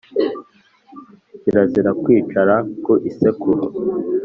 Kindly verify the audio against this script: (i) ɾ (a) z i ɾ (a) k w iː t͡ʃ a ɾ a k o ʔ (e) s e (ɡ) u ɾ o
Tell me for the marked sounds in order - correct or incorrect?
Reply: correct, correct, correct, incorrect: i, incorrect: k

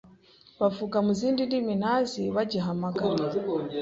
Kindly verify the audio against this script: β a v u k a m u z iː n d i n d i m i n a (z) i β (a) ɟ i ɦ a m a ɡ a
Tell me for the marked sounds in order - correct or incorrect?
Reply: correct, correct

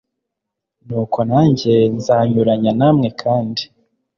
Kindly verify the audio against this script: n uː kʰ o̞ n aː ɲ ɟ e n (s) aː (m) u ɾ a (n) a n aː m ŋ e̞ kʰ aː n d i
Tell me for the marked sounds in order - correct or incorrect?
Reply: incorrect: z, incorrect: ɲ, incorrect: ɲ

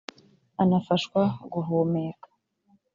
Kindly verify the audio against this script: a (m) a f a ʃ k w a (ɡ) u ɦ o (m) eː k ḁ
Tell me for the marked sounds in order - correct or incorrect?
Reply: incorrect: n, correct, correct

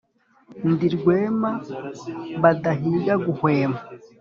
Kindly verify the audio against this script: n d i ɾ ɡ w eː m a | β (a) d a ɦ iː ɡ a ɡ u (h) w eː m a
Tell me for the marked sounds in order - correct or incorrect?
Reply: correct, correct

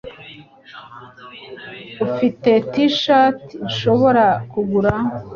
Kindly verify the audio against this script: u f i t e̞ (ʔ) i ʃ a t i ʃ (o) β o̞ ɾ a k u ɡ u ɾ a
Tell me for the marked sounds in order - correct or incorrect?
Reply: incorrect: t, correct

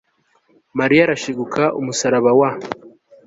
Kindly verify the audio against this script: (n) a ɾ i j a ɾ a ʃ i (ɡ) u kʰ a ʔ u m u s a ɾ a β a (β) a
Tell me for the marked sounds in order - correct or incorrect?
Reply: incorrect: m, correct, incorrect: w

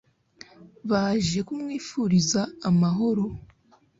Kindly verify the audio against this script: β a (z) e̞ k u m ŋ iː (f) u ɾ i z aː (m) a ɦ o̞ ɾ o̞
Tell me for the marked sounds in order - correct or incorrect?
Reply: incorrect: ʒ, correct, correct

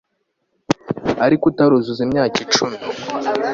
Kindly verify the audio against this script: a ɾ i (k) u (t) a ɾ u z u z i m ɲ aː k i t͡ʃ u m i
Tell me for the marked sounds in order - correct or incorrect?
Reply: correct, correct

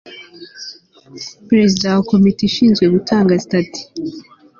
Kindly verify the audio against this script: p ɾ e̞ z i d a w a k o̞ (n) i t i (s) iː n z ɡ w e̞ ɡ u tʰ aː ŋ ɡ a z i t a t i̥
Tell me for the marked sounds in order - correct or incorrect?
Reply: incorrect: m, incorrect: ʃ

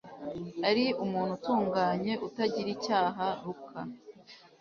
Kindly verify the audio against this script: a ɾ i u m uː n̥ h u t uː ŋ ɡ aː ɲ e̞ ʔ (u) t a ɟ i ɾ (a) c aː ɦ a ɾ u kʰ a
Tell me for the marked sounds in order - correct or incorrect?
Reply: correct, incorrect: i

